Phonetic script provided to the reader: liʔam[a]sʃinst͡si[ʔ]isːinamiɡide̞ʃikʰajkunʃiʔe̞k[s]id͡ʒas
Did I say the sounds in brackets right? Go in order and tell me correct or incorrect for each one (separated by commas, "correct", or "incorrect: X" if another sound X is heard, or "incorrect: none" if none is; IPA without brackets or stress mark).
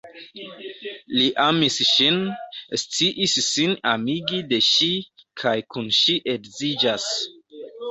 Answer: incorrect: i, correct, incorrect: z